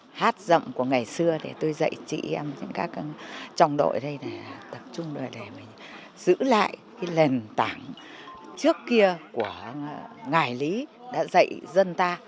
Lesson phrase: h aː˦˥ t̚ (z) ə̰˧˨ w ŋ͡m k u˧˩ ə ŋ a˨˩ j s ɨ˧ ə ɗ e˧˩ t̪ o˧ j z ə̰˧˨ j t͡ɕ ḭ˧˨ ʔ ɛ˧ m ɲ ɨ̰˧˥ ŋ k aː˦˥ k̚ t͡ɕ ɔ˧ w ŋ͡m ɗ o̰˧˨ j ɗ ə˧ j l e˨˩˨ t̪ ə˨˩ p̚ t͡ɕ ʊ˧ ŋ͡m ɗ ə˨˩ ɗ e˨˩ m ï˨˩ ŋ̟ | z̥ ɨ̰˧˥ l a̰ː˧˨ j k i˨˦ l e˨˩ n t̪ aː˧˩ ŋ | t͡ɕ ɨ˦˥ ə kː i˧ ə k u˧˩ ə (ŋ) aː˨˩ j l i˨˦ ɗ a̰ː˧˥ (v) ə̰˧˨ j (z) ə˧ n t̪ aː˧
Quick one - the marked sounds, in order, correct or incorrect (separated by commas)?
correct, correct, incorrect, correct